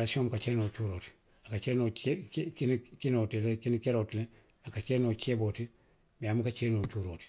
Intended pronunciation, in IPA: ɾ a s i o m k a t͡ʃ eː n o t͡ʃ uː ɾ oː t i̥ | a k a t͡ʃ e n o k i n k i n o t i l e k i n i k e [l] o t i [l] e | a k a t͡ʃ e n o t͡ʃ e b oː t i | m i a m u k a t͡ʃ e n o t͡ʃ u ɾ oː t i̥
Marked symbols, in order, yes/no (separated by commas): no, yes